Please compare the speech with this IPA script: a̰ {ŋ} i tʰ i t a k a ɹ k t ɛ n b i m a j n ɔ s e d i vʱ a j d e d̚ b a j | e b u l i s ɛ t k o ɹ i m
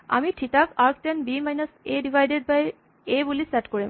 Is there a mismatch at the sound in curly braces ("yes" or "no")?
yes